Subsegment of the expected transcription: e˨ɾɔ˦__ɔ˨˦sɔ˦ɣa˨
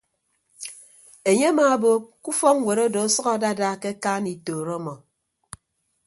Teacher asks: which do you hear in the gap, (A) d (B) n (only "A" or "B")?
A